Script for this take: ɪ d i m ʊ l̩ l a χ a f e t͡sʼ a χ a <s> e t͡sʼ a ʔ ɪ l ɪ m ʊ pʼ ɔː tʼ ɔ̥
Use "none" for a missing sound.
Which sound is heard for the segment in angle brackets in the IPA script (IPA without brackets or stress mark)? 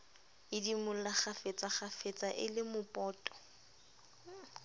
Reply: f